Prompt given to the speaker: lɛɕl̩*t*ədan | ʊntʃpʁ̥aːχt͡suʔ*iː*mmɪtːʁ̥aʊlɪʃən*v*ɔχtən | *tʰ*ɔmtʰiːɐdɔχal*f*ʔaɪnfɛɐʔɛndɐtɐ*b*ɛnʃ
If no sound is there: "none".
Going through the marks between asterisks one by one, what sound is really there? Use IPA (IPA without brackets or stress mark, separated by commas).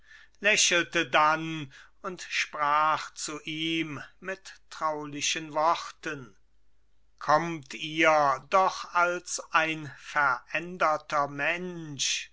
t, iː, v, kʰ, s, m